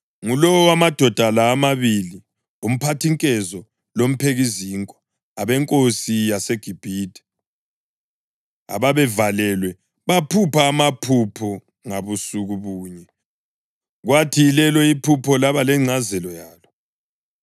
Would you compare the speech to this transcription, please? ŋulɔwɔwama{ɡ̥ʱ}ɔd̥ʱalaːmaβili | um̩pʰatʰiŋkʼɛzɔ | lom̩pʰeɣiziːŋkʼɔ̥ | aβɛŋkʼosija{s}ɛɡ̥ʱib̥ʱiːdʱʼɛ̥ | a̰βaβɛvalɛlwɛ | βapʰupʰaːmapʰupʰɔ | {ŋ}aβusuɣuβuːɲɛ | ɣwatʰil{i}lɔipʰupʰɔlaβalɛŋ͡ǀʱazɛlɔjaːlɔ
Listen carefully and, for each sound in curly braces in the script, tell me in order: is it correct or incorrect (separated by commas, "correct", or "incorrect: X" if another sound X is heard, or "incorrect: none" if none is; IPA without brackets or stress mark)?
incorrect: d̥ʱ, correct, correct, incorrect: ɛ